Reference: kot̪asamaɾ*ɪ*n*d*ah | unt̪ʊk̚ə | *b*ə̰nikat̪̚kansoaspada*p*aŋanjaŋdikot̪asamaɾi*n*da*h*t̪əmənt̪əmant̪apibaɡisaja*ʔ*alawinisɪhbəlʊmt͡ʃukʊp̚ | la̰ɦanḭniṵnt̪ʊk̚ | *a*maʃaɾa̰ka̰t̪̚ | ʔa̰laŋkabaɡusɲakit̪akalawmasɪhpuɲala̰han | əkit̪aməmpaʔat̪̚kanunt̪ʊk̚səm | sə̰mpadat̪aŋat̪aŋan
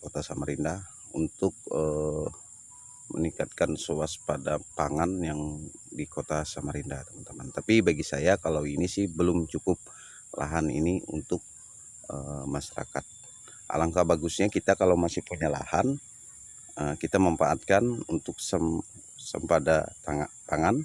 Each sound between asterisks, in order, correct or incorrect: incorrect: i, correct, incorrect: m, correct, correct, correct, incorrect: k, incorrect: ə

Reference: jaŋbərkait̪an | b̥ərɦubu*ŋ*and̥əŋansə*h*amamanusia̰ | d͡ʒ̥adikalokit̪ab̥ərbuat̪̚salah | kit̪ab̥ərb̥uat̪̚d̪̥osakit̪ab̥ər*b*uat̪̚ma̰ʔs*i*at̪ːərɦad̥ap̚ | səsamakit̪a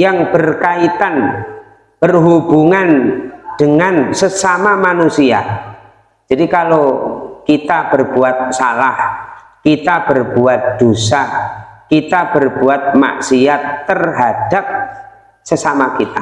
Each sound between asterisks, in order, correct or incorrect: correct, incorrect: s, correct, correct

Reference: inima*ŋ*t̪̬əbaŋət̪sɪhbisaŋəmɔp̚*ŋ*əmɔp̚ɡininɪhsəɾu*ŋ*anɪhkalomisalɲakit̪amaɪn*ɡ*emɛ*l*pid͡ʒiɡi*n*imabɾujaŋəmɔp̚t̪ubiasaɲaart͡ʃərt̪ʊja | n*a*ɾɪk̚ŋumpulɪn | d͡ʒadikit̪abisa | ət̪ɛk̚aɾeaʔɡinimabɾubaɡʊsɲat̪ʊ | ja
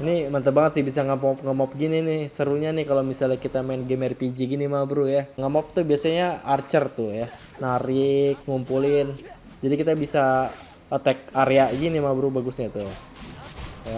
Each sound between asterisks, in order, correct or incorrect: incorrect: n, correct, incorrect: ɲ, correct, incorrect: r, correct, correct

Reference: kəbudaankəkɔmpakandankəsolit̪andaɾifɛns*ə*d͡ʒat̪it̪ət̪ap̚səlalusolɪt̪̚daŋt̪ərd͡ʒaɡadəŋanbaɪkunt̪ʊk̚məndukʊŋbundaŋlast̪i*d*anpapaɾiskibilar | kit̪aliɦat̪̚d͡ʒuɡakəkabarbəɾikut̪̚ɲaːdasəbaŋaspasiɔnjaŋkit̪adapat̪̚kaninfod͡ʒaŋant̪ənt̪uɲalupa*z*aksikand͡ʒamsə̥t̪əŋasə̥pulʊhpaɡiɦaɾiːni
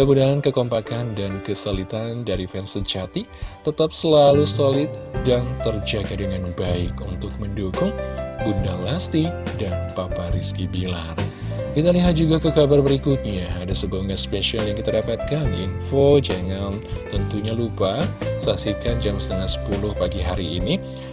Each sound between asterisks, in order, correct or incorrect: correct, correct, incorrect: s

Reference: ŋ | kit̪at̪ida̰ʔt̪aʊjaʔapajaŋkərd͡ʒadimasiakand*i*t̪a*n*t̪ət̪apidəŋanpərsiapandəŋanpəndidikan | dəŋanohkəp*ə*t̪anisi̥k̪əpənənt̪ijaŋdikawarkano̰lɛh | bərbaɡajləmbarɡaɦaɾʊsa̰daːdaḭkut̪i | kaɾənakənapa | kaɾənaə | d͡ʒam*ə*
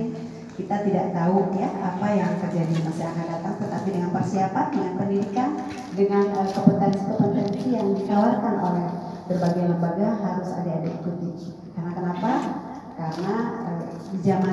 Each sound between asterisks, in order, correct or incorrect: incorrect: a, incorrect: ŋ, correct, incorrect: a

